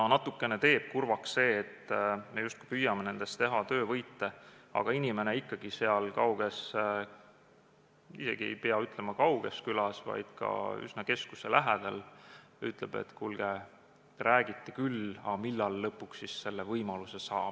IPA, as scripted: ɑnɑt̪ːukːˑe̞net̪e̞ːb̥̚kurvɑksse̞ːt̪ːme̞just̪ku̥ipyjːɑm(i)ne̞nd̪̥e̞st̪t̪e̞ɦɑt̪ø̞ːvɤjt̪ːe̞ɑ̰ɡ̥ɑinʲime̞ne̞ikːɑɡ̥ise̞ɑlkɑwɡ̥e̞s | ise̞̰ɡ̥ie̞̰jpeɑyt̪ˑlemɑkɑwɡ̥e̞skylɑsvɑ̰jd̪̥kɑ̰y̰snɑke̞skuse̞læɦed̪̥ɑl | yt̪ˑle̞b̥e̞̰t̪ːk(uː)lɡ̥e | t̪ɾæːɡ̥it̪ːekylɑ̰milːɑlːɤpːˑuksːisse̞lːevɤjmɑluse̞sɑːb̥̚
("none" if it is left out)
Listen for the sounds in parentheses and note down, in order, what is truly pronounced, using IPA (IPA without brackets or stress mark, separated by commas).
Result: e, u